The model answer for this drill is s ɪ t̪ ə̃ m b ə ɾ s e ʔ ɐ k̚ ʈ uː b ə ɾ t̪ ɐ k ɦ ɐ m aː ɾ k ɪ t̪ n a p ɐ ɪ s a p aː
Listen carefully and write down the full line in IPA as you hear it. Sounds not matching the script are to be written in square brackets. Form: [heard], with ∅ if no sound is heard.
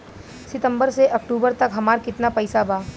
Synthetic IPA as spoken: s ɪ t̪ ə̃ m b ə ɾ s e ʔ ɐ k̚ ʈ uː b ə ɾ t̪ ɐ k ɦ ɐ m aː ɾ k ɪ t̪ n a p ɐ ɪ s a [b] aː